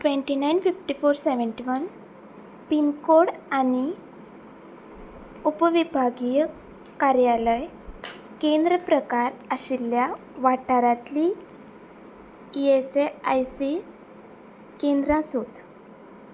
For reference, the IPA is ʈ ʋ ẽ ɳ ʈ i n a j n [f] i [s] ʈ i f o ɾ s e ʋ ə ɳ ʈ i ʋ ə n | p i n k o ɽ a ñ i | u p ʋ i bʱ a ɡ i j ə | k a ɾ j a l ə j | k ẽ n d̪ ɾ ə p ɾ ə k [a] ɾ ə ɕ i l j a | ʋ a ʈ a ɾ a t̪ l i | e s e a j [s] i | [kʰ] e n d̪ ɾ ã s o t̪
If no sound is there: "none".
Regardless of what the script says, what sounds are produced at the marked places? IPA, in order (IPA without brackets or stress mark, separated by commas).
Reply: f, f, a, s, k